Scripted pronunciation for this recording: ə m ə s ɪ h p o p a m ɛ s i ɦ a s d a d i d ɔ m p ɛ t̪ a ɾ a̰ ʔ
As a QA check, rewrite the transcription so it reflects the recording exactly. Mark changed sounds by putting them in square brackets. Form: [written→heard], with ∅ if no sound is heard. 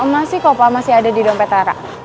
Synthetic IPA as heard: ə m [ə→a] s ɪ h [p→k] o p a m [ɛ→a] s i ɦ a [s→∅] d a d i d ɔ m p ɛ t̪ a ɾ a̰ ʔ

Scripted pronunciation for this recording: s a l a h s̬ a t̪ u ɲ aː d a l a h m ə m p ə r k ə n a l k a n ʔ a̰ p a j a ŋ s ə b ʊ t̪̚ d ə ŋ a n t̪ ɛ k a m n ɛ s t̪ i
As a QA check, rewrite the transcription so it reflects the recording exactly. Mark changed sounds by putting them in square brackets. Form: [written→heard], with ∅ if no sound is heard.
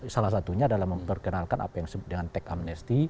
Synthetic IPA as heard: s a l a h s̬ a t̪ u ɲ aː d a l a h m ə m p ə r k ə n a l k a n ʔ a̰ p a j a ŋ s ə b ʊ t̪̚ d ə ŋ a n t̪ ɛ k a m n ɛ s t̪ i

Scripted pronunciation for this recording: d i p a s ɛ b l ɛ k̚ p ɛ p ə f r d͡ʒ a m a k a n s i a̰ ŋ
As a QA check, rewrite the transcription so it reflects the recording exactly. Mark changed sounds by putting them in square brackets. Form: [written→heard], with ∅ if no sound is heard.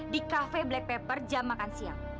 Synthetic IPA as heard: d i [p→k] a [s→f] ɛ b l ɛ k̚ p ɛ p ə [f→∅] r d͡ʒ a m a k a n s i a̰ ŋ

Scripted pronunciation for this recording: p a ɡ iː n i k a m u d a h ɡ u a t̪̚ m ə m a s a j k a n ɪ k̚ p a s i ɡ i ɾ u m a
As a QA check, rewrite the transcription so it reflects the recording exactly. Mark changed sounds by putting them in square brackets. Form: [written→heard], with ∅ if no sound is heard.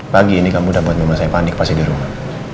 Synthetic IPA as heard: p a ɡ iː n i k a m u d a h [ɡ→b] u a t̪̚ m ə m a s a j [k→p] a n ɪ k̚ p a s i [ɡ→d] i ɾ u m a

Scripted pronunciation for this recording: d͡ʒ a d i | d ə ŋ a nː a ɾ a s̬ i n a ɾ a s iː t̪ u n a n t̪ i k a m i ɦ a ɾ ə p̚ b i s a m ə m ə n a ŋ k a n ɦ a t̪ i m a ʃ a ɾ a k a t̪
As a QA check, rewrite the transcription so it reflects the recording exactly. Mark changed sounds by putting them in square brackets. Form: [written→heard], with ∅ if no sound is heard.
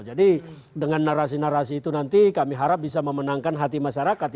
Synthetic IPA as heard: d͡ʒ a d i | d ə ŋ a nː a ɾ a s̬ i n a ɾ a s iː t̪ u n a n t̪ i k a m i ɦ a ɾ [ə→a] p̚ b i s a m ə m ə n a ŋ k a n ɦ a t̪ i m a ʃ a ɾ a k a t̪

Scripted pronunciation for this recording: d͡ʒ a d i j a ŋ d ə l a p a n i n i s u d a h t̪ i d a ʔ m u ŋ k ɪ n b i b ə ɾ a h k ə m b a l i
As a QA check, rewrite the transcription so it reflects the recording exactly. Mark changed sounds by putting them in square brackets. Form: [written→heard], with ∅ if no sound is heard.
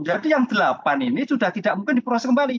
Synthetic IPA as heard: d͡ʒ a d i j a ŋ d ə l a p a n i n i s u d a h t̪ i d a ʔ m u ŋ k ɪ n [b→d] i [b→p] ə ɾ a [h→s] k ə m b a l i

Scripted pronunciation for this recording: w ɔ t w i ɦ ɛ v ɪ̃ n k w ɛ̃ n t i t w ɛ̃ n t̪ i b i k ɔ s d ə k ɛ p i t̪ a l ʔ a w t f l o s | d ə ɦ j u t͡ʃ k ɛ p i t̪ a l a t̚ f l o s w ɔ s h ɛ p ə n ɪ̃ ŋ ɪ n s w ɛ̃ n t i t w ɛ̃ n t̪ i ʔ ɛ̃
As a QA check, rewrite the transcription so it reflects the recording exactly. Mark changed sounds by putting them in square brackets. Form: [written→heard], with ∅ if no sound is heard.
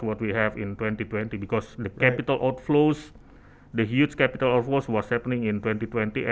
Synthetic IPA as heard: w ɔ t w i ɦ ɛ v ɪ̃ n [k→t] w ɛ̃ n t i t w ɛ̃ n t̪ i b i k ɔ s d ə k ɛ p i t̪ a l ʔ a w t f l o s | d ə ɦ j u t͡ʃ k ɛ p i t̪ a l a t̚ f l o s w ɔ s h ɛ p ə n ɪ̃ ŋ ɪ n [s→t] w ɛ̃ n t i t w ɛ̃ n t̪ i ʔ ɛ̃

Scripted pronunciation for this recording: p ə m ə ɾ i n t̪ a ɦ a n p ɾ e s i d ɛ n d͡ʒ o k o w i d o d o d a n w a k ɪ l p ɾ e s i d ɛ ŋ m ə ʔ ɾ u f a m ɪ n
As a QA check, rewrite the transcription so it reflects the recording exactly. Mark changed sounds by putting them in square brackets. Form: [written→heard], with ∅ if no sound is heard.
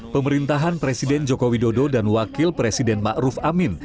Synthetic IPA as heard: p ə m ə ɾ i n t̪ a ɦ a n p ɾ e s i d ɛ n d͡ʒ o k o w i d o d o d a n w a k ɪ l p ɾ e s i d ɛ [ŋ→n] m [ə→a] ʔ ɾ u f a m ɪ n

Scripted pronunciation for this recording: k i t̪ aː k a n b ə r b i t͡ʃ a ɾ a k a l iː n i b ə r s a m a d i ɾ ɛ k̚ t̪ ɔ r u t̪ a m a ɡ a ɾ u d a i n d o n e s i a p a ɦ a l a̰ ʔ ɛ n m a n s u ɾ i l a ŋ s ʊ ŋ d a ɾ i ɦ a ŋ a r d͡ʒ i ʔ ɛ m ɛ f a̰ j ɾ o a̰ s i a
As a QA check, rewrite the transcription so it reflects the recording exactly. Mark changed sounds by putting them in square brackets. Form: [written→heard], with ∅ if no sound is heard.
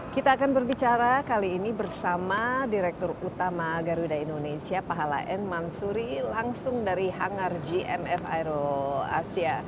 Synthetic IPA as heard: k i t̪ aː k a n b ə r b i t͡ʃ a ɾ a k a l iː n i b ə r s a m a d i ɾ ɛ k̚ t̪ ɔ r u t̪ a m a ɡ a ɾ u d a i n d o n e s i a p a ɦ a l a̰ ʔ ɛ n m a n s u ɾ i l a ŋ s ʊ ŋ d a ɾ i ɦ a ŋ a r d͡ʒ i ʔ ɛ m ɛ f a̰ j ɾ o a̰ s i a

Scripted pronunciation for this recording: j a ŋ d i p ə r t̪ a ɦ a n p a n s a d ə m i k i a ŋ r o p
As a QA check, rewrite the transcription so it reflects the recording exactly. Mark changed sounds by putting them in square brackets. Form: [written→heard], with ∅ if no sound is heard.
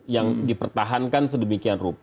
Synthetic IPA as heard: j a ŋ d i p ə r t̪ a ɦ a n [p→k] a n s [a→ə] d ə m i k i a [ŋ→n] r [o→u] p

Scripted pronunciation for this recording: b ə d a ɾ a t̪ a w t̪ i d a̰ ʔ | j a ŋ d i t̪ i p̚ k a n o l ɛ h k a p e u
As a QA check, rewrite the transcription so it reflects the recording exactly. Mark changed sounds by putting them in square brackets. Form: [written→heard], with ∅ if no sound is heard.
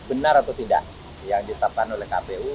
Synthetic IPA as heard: b ə [d→n] a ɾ a t̪ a w t̪ i d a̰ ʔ | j a ŋ d i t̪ [i→a] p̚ k a n o l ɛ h k a p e u

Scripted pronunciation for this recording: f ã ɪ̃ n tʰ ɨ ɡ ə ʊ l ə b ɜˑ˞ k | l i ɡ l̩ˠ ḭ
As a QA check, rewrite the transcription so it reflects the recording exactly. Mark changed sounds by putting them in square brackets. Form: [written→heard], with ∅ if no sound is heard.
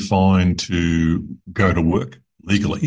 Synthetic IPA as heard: f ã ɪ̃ n tʰ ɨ ɡ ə ʊ [l→ɾ] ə [b→w] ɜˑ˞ k | l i ɡ l̩ˠ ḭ

